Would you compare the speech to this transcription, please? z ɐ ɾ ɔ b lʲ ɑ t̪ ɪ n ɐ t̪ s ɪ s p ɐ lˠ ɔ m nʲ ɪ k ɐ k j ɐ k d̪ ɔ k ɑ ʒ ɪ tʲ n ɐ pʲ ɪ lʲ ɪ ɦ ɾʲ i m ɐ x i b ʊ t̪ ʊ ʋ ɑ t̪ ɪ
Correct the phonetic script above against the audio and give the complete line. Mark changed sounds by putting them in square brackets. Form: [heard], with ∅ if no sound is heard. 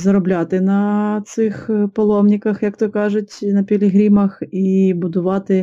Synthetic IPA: z ɐ ɾ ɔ b lʲ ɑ t̪ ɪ n ɐ t̪ s ɪ [x] p ɐ lˠ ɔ m nʲ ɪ k ɐ [x] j ɐ k [t̪] ɔ k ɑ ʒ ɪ tʲ n ɐ pʲ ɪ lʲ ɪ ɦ ɾʲ i m ɐ x i b ʊ [d̪] ʊ ʋ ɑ t̪ ɪ